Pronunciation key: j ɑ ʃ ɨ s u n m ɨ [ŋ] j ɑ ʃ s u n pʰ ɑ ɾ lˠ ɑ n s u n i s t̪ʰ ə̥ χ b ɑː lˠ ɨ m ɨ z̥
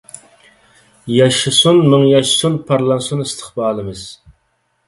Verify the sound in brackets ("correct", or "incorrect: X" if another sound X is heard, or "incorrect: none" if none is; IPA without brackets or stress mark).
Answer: correct